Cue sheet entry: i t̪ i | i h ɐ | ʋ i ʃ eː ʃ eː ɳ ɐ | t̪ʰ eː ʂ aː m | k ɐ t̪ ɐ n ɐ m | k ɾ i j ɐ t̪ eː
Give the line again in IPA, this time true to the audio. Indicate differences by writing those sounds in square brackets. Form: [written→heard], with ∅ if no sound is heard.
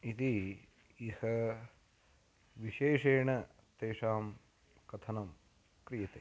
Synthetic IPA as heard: i t̪ i | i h ɐ | ʋ i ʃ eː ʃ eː ɳ ɐ | [t̪ʰ→t̪] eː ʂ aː m | k ɐ [t̪→t̪ʰ] ɐ n ɐ m | k ɾ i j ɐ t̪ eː